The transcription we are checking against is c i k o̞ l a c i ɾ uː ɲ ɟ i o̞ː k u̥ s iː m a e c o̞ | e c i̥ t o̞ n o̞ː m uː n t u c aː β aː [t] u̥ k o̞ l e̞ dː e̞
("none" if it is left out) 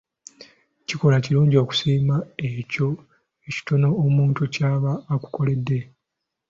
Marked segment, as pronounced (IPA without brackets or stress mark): k